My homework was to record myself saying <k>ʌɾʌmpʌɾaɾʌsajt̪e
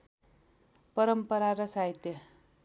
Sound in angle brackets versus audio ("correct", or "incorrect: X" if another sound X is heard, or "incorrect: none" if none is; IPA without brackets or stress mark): incorrect: p